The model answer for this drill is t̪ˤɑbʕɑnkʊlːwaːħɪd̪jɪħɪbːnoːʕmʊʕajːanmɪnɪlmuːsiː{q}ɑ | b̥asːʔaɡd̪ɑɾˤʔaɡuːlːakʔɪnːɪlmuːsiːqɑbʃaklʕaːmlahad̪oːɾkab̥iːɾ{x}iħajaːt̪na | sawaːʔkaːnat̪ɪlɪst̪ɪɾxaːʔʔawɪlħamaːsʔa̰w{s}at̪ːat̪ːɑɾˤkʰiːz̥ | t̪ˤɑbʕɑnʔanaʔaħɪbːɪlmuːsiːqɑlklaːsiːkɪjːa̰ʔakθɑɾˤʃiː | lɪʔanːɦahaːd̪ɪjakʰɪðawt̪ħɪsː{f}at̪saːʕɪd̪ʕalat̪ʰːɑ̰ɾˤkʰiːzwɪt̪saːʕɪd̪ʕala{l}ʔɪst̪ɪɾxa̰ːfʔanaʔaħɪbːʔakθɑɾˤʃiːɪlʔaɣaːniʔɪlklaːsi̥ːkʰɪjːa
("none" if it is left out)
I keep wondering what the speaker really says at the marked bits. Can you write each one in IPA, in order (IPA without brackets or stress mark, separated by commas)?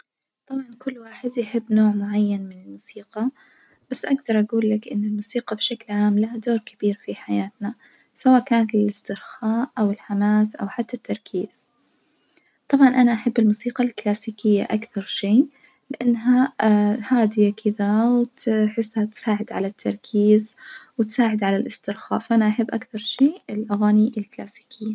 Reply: q, f, ħ, h, l